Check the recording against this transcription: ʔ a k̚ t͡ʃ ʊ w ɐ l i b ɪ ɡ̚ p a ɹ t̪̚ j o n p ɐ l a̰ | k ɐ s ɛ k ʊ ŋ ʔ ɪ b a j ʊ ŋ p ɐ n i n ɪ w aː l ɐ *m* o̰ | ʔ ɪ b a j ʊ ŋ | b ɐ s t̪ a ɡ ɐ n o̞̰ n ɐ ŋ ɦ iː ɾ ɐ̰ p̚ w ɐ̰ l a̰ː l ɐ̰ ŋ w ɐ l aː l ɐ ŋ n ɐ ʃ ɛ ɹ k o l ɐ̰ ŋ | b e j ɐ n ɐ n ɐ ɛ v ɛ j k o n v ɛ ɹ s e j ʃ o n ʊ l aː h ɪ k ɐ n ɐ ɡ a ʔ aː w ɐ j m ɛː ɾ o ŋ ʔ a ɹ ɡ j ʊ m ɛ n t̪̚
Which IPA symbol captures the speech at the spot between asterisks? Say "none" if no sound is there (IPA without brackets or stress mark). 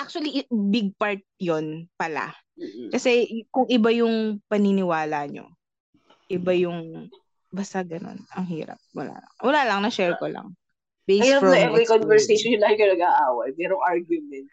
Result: ɲ